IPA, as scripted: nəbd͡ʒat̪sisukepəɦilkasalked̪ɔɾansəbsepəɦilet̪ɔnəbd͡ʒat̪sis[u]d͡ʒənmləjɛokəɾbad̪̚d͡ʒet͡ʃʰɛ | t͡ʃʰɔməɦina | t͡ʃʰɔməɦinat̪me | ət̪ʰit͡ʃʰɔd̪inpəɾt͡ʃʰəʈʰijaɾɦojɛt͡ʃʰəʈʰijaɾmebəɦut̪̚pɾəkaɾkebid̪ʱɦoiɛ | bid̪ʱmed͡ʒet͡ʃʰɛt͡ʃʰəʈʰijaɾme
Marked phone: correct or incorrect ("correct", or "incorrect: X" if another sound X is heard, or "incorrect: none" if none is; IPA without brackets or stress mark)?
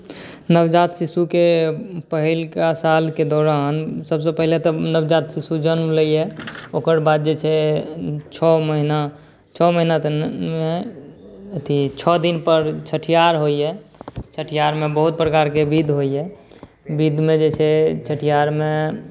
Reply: correct